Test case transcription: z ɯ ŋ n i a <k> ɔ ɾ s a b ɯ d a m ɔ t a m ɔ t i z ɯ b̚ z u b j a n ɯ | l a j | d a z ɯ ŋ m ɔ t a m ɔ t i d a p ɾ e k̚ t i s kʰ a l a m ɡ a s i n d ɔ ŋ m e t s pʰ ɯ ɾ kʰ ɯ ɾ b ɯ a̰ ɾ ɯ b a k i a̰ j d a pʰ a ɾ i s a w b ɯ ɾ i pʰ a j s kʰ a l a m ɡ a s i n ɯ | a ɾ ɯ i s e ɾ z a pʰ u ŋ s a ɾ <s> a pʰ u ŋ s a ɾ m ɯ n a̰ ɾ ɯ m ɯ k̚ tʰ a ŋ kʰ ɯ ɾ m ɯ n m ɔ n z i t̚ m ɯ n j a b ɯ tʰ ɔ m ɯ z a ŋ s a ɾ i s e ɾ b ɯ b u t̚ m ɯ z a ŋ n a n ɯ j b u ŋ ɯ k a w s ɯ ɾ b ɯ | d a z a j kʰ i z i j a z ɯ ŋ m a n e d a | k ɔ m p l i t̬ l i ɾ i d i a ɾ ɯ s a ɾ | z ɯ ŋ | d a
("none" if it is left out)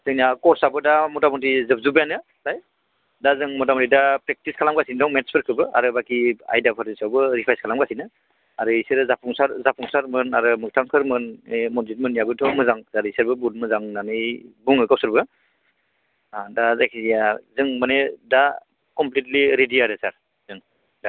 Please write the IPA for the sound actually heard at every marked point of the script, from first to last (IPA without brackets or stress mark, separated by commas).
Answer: k, z